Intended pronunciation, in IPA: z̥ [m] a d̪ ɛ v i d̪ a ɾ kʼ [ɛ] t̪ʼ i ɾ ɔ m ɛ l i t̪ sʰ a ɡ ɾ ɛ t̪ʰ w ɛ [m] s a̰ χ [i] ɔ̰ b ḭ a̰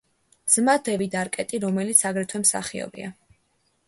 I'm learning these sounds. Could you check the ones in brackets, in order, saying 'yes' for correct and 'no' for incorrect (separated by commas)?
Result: yes, yes, yes, yes